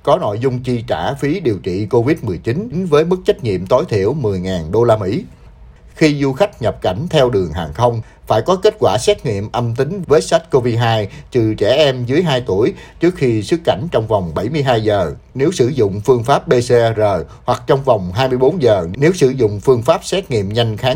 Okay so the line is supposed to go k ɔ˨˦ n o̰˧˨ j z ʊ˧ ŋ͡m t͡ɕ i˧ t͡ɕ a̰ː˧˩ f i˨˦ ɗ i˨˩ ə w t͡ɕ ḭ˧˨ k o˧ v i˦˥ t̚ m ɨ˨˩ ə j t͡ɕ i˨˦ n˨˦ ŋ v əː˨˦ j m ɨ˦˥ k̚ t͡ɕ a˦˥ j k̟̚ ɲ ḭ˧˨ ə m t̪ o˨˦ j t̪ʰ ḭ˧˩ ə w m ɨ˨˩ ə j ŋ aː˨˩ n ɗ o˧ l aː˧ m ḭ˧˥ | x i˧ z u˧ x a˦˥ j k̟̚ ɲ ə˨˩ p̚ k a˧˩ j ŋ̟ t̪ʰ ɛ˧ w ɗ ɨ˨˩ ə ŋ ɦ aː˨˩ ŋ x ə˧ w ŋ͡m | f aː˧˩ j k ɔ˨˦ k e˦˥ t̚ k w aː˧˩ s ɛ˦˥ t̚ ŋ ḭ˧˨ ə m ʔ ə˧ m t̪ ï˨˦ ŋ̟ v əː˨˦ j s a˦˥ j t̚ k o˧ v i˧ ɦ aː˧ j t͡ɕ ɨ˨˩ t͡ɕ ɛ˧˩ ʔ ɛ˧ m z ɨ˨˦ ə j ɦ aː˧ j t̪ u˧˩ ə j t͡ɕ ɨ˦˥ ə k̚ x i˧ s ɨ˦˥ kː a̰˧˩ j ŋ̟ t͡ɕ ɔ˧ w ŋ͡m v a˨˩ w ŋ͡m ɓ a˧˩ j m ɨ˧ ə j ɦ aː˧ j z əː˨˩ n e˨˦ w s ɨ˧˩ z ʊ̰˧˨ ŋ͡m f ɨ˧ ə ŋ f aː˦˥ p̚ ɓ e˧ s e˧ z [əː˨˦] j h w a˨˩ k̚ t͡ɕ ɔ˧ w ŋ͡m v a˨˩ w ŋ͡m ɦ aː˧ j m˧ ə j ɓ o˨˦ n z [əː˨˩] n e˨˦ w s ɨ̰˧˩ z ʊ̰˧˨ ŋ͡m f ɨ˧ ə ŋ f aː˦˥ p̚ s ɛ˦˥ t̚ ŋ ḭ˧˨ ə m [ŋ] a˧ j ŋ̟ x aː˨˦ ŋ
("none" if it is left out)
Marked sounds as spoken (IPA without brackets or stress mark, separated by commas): əː˨˩, əː˨˩, ɲ